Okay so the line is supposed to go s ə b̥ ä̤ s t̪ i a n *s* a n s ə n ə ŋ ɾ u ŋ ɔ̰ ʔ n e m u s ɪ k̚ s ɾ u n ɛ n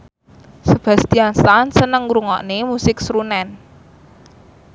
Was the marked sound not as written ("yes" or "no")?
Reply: no